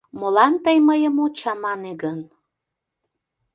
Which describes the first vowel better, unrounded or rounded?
rounded